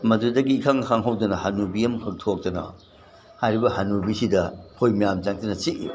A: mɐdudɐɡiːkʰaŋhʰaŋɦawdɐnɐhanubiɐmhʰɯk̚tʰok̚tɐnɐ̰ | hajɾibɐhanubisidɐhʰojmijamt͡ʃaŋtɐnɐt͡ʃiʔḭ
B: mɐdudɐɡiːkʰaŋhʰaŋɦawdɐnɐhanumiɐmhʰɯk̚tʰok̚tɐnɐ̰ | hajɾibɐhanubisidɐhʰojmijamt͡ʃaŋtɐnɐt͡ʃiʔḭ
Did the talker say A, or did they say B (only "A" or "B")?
A